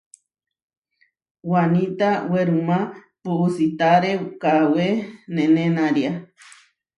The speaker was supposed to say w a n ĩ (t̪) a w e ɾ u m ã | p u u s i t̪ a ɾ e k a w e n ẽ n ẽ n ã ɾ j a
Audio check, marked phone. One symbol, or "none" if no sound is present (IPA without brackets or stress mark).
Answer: t̪